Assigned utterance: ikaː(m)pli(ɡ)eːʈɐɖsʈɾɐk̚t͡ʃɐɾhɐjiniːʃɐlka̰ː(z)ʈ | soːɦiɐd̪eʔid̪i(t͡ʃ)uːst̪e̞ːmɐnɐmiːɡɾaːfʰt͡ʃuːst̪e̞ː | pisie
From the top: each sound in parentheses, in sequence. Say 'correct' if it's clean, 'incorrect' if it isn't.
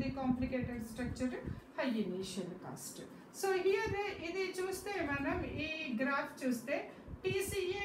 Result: correct, incorrect: k, incorrect: s, correct

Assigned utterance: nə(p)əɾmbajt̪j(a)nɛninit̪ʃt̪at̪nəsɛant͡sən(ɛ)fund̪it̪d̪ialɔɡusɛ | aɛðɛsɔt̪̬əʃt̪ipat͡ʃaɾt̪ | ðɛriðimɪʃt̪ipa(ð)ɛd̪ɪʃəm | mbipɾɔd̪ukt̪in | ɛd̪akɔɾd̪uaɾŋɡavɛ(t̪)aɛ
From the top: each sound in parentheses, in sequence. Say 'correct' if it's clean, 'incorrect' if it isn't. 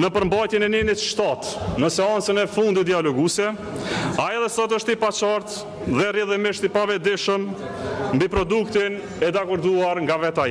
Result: correct, incorrect: ɛ, correct, incorrect: v, correct

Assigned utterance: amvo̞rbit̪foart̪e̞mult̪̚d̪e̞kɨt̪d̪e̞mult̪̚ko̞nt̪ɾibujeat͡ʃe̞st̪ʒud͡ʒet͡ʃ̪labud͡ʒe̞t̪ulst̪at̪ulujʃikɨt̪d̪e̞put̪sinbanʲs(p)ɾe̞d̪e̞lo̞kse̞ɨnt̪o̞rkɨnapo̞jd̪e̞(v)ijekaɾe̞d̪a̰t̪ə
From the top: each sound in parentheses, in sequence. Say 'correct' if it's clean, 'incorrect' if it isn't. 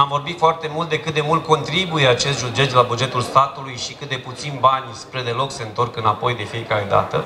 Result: correct, incorrect: f

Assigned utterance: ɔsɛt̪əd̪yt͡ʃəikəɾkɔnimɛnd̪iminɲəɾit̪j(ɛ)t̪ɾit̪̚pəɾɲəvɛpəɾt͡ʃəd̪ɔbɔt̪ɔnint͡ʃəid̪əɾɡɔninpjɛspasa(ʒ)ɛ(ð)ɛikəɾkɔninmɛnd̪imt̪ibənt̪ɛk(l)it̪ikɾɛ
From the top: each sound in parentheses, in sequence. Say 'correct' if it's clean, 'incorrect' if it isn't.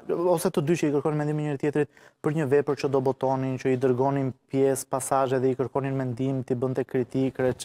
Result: correct, correct, correct, incorrect: ɾ

